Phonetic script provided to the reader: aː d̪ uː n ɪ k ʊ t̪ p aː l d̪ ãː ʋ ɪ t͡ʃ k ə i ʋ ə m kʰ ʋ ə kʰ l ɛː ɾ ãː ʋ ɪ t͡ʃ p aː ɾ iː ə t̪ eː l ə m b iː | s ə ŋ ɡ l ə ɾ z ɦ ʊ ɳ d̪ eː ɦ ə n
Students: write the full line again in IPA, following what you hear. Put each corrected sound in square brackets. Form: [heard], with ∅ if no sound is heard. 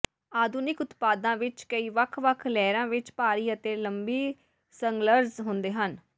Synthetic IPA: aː d̪ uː n ɪ k ʊ t̪ p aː [∅] d̪ ãː ʋ ɪ t͡ʃ k ə [iː] ʋ ə [∅] kʰ ʋ ə kʰ l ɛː ɾ ãː ʋ ɪ t͡ʃ p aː ɾ iː ə t̪ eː l ə m b iː | s ə ŋ ɡ l ə ɾ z ɦ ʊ [n] d̪ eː ɦ ə n